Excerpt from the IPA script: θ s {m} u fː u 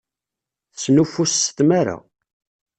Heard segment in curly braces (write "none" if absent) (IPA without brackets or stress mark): n